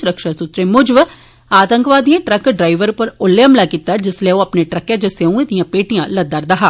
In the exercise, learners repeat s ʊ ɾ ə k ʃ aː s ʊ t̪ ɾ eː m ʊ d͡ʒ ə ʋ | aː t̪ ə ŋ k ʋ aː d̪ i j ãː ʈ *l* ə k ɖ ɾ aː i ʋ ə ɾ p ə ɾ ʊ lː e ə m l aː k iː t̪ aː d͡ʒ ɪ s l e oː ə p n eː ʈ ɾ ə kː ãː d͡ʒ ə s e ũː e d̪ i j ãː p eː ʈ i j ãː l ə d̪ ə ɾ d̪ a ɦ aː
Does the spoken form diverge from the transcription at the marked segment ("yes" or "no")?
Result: yes